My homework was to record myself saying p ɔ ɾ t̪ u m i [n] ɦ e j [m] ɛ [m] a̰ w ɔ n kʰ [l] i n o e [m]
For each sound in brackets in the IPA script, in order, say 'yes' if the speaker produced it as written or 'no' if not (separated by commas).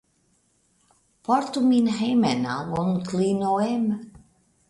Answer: yes, yes, no, yes, yes